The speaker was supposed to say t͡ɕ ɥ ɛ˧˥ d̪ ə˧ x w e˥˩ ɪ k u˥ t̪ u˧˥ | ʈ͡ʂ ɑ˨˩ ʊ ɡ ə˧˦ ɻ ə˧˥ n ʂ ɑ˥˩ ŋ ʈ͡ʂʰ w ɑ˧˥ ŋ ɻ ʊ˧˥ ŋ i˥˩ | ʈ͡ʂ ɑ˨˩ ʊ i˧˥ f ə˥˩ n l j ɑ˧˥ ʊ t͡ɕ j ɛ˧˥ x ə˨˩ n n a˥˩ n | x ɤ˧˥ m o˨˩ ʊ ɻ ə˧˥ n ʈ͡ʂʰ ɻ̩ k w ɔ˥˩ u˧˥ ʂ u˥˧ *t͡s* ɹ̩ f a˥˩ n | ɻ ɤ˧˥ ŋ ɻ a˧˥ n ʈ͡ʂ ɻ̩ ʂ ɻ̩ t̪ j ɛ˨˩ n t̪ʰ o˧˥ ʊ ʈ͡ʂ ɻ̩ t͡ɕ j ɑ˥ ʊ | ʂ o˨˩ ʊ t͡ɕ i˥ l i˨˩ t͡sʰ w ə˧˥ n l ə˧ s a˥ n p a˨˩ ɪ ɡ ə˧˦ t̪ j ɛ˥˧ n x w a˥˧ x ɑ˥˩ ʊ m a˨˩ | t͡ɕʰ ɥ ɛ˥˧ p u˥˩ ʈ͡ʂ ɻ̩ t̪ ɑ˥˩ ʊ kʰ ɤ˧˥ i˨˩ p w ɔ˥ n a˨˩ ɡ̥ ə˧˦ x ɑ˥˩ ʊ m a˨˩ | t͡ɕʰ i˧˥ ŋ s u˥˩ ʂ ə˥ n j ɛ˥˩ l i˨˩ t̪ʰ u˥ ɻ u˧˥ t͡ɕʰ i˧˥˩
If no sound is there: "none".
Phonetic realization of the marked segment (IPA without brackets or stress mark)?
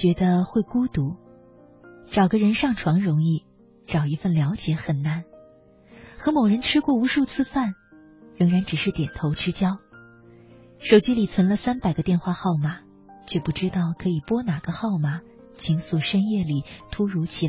t͡sʰ